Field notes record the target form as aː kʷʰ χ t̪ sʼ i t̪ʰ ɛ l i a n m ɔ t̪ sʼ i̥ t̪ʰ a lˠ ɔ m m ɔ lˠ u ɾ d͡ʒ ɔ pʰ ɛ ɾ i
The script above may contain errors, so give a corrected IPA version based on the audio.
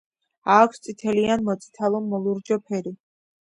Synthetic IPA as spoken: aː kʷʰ s t̪ sʼ i t̪ʰ ɛ l i a n m ɔ t̪ sʼ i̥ t̪ʰ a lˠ ɔ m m ɔ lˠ u ɾ d͡ʒ ɔ pʰ ɛ ɾ i